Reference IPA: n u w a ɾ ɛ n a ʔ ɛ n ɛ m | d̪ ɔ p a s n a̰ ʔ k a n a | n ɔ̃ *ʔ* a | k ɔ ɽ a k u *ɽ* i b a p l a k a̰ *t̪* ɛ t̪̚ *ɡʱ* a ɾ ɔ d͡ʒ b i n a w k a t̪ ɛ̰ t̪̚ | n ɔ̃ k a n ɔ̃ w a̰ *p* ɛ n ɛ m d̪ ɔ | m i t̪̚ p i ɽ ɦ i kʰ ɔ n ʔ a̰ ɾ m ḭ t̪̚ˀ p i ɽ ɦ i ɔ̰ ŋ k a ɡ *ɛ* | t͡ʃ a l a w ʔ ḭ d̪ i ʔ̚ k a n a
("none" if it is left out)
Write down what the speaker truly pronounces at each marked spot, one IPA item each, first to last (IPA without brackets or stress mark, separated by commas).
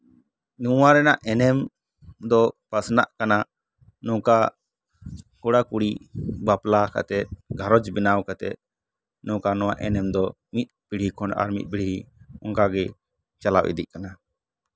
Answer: k, ɽ, t̪, ɡʱ, ʔ, ɛ